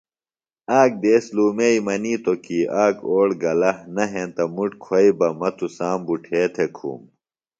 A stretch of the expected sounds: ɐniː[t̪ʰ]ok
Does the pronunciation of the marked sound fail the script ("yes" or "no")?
yes